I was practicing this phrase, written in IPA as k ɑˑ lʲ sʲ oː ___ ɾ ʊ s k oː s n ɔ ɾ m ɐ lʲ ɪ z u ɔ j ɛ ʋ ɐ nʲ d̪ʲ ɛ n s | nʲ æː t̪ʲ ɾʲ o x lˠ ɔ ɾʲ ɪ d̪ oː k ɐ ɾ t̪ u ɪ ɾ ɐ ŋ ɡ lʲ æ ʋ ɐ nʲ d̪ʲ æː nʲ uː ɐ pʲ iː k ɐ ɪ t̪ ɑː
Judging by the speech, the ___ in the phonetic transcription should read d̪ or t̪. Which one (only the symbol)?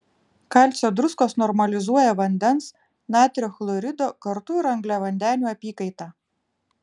d̪